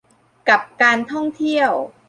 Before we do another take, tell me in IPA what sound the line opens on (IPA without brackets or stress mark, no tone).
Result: k